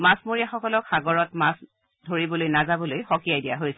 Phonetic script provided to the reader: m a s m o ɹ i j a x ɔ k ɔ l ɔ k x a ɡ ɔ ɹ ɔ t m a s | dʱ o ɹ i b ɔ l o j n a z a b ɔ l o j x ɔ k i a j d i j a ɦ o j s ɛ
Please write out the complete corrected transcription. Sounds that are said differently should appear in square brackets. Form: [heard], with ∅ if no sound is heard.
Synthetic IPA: m a s m o ɹ i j a x ɔ k ɔ l ɔ k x a ɡ ɔ ɹ ɔ t m a s | dʱ o ɹ i b ɔ l o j n a z a b ɔ l o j x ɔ k i a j d i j a ɦ o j s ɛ